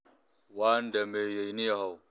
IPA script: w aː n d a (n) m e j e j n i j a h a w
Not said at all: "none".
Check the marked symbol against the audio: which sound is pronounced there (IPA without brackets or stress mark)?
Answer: none